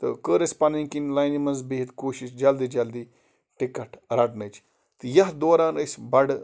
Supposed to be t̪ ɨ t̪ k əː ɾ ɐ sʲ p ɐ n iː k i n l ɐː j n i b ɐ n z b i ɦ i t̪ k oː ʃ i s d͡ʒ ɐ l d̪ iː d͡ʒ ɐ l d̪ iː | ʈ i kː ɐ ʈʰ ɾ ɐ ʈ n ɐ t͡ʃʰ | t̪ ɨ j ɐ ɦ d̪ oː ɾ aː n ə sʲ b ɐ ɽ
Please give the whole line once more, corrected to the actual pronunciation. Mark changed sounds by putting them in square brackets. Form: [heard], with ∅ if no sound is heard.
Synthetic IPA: t̪ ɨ [∅] k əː ɾ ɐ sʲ p ɐ n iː k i n l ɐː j n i [m] ɐ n z b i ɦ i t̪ k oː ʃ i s d͡ʒ ɐ l d̪ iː d͡ʒ ɐ l d̪ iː | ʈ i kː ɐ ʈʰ ɾ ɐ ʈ n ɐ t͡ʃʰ | t̪ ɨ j ɐ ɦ d̪ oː ɾ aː n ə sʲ b ɐ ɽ